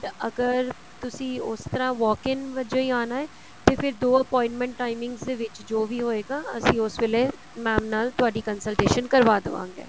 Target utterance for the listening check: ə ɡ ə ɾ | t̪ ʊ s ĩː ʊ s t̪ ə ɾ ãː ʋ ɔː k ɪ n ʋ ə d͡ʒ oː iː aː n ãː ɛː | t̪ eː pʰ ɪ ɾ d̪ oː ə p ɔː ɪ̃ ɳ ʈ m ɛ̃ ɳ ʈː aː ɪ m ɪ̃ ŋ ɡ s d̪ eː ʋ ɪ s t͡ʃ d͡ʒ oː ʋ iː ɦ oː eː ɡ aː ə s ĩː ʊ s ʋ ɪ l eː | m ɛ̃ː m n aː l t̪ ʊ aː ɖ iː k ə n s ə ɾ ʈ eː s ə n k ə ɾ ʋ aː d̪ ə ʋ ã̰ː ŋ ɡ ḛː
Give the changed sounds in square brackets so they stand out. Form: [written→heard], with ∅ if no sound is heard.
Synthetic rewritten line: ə ɡ ə ɾ | t̪ ʊ s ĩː ʊ s t̪ ə ɾ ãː ʋ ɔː k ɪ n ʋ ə d͡ʒ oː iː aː n [ãː→aː] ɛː | t̪ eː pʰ ɪ ɾ d̪ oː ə p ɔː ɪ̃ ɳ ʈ m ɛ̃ ɳ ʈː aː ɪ m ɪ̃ ŋ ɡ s d̪ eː ʋ ɪ [s→∅] t͡ʃ d͡ʒ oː ʋ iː ɦ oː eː ɡ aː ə s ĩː ʊ s ʋ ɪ l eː | m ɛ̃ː m n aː l t̪ ʊ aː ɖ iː k ə n s ə [ɾ→l] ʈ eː [s→ʃ] ə n k ə ɾ ʋ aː d̪ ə ʋ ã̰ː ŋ ɡ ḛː

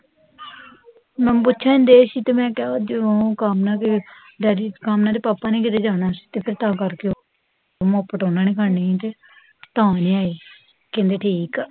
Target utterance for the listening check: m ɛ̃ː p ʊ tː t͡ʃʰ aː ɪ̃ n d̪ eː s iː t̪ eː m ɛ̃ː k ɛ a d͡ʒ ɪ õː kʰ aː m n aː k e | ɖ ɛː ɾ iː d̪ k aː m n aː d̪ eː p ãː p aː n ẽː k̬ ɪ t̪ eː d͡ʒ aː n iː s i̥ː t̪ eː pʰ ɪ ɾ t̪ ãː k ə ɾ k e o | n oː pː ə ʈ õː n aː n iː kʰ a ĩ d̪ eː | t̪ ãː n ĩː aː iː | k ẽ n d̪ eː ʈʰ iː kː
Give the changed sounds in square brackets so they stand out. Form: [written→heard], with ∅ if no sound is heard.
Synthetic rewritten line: m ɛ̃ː p ʊ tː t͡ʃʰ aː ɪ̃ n d̪ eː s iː t̪ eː m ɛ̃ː k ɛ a d͡ʒ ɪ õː [kʰ→k] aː m n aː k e | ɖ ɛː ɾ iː [d̪→∅] k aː m n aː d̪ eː p [ãː→aː] p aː n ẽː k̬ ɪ t̪ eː d͡ʒ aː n [iː→aː] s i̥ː t̪ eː pʰ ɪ ɾ t̪ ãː k ə ɾ k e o | [n→m] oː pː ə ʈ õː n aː n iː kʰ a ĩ [d̪→t̪] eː | t̪ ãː n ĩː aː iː | k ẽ n d̪ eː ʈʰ iː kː

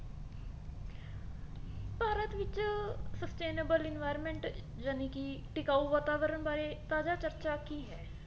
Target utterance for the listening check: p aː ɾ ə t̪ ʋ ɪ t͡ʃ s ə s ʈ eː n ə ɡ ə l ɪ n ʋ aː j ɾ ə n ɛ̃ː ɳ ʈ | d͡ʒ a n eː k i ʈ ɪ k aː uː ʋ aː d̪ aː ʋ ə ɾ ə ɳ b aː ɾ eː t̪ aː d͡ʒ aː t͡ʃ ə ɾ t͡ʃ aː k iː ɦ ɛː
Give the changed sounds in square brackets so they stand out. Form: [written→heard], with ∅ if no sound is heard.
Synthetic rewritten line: p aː ɾ ə t̪ ʋ ɪ t͡ʃ s ə s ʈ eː n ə [ɡ→b] ə l ɪ n ʋ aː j ɾ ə [n→m] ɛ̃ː ɳ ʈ | d͡ʒ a n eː k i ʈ ɪ k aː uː ʋ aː [d̪→t̪] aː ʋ ə ɾ ə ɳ b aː ɾ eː t̪ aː d͡ʒ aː t͡ʃ ə ɾ t͡ʃ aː k iː ɦ ɛː

